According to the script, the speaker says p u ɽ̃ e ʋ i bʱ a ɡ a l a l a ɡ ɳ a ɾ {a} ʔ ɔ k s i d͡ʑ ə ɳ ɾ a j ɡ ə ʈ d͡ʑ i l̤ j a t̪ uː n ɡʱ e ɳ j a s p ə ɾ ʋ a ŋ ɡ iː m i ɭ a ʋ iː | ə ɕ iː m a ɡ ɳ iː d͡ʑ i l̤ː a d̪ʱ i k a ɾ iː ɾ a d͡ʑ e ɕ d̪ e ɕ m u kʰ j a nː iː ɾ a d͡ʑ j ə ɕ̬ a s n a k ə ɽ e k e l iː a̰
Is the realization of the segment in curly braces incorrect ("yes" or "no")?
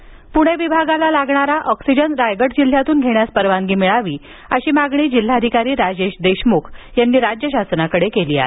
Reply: no